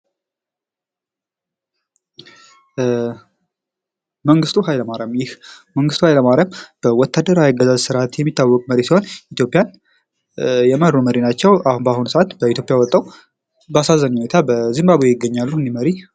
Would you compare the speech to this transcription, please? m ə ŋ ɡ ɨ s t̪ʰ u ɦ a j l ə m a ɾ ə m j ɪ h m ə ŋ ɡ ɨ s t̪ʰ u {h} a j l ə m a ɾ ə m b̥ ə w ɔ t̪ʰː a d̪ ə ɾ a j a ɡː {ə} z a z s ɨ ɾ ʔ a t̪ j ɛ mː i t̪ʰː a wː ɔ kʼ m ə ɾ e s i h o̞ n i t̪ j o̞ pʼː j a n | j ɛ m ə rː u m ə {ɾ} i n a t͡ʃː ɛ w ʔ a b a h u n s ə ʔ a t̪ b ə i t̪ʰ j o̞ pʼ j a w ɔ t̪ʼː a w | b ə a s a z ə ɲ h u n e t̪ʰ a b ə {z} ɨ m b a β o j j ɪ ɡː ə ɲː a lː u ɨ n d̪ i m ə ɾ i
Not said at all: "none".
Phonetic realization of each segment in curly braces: h, ə, ɾ, z

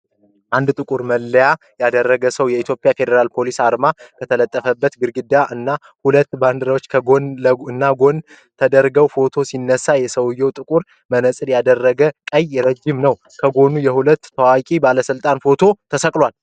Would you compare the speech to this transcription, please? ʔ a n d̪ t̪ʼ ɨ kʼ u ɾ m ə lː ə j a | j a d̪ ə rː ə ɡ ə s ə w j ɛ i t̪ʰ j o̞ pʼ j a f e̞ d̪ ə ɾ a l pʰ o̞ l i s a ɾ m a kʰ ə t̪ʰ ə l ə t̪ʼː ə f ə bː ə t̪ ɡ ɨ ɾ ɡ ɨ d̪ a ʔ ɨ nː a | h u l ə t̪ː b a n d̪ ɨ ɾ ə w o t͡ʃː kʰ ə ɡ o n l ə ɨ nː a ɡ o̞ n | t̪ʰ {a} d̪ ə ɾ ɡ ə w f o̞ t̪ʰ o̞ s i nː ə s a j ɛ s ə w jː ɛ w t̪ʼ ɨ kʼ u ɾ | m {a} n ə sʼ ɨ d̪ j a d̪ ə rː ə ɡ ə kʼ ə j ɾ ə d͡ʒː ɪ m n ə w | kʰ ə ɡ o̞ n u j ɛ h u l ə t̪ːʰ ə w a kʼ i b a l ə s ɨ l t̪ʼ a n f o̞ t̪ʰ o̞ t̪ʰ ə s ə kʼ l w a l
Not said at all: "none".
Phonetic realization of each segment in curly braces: ə, ə

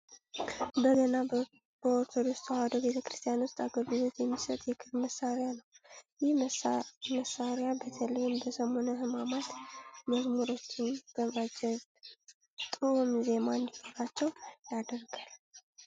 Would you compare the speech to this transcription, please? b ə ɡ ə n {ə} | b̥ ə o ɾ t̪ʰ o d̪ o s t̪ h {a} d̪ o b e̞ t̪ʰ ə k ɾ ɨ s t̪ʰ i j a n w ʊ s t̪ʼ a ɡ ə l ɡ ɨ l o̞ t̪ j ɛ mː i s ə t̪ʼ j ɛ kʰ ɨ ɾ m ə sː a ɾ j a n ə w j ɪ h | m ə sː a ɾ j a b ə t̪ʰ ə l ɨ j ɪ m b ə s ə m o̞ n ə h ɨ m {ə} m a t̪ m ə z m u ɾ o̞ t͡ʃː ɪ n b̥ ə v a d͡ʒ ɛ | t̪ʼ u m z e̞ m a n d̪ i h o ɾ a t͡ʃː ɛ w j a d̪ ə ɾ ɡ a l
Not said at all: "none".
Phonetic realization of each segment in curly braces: a, a, a

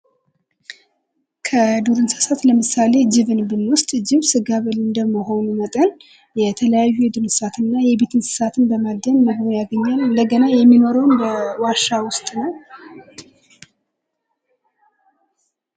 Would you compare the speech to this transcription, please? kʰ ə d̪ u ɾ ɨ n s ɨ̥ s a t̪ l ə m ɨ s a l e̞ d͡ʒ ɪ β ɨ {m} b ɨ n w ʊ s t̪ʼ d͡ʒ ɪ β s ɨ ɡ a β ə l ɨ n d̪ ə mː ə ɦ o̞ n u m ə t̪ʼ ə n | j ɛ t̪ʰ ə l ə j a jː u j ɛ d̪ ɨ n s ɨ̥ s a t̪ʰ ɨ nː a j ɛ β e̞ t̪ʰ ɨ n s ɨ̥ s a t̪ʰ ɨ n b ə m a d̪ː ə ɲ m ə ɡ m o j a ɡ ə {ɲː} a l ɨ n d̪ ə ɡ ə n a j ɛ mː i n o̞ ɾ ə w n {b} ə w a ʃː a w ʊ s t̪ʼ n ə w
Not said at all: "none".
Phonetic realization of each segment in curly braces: n, ɲː, b

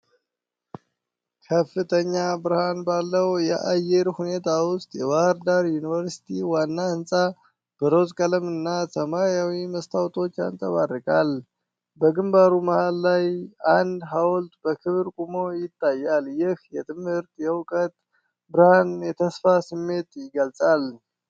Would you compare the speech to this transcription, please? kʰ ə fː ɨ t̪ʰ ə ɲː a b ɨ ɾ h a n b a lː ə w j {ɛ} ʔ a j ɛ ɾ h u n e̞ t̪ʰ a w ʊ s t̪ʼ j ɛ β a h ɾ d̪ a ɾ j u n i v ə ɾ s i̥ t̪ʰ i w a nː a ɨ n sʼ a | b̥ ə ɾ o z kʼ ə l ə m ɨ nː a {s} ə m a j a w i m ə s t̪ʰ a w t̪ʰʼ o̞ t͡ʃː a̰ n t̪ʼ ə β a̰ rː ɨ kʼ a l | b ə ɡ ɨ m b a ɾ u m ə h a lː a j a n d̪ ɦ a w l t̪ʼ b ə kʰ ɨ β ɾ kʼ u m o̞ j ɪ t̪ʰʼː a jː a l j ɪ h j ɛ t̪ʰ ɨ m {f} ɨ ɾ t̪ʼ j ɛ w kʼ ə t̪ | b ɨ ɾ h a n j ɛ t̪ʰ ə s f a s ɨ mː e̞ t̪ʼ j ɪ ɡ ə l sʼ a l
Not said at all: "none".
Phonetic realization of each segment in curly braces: ɛ, s, h

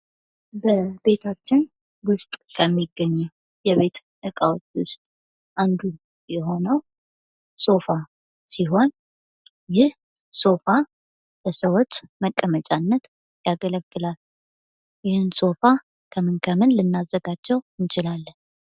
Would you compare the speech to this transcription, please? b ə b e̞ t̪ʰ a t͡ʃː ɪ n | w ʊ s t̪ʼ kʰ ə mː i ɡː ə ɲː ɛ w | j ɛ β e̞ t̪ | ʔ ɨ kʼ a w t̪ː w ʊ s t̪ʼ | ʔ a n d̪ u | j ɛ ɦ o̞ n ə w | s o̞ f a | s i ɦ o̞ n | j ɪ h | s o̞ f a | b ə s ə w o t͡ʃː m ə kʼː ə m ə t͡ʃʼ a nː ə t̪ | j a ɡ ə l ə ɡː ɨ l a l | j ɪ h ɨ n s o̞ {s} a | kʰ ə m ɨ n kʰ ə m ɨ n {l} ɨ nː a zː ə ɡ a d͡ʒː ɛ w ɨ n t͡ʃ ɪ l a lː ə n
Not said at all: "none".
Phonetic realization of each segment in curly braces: f, l

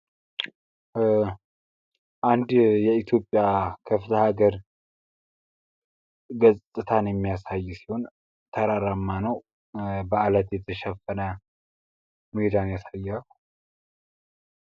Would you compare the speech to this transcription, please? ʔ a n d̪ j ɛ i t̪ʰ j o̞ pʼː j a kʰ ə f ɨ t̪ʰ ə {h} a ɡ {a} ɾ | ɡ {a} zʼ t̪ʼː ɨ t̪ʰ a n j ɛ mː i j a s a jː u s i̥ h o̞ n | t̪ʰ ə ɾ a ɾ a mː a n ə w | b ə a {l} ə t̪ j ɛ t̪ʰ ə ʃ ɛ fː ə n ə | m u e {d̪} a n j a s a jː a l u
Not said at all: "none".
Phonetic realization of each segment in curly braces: h, ə, ə, l, d̪

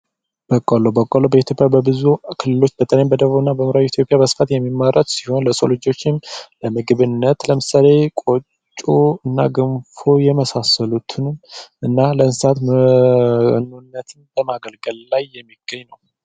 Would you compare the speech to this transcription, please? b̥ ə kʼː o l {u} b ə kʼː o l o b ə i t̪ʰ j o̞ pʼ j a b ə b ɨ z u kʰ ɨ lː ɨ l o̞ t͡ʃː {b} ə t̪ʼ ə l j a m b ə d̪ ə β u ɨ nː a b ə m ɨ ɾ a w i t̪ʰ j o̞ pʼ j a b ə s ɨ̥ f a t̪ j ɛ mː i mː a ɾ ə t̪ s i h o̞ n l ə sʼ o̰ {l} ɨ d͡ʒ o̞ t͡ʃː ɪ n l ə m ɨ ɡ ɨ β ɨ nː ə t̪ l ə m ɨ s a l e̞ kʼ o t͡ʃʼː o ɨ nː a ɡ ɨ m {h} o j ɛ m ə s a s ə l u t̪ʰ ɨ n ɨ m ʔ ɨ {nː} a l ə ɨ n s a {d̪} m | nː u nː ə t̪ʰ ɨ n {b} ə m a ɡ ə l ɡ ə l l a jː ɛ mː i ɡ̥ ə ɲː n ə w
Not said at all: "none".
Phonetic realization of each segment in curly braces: o, b, l, f, nː, t̪, b

